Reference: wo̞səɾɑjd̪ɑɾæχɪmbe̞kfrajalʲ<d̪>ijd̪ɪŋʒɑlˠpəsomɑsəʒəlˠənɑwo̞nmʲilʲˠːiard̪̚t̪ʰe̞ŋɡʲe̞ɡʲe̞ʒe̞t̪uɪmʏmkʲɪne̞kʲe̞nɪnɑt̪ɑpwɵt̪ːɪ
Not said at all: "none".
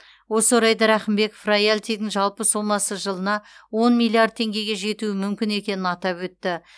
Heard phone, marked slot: t̪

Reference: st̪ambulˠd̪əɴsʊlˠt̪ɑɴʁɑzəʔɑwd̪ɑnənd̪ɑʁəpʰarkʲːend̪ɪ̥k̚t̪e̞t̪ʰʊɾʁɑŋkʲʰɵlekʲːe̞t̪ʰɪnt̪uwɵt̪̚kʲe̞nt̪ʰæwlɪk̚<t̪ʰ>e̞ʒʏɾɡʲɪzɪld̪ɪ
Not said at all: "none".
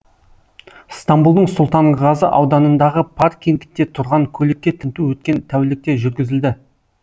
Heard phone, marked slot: t̪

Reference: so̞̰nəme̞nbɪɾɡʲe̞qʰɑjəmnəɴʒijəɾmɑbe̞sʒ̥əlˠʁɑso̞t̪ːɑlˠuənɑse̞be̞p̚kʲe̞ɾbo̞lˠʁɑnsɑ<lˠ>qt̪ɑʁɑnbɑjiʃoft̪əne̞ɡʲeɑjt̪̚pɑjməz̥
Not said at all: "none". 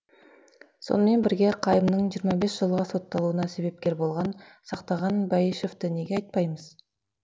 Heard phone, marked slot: none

